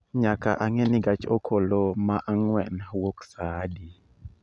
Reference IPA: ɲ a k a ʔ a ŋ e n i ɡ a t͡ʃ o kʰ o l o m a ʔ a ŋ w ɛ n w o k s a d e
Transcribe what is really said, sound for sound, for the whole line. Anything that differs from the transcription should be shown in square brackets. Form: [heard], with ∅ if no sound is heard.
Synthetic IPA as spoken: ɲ a k a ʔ a ŋ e n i ɡ a t͡ʃ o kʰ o l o m a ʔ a ŋ w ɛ n w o k s a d [i]

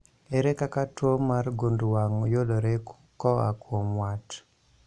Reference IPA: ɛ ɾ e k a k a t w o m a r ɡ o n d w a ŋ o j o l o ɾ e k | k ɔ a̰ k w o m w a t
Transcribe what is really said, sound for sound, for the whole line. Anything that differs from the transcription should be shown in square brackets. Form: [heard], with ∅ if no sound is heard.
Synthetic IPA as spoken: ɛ ɾ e k a k a t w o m a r ɡ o n d w a ŋ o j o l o ɾ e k | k ɔ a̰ k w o m w a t

